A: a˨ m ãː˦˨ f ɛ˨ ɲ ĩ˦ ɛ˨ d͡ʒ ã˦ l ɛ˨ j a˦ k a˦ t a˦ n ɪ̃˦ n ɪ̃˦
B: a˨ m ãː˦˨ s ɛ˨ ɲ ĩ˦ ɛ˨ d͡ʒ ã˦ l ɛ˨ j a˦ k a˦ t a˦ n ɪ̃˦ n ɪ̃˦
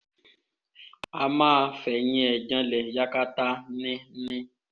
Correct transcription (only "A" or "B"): A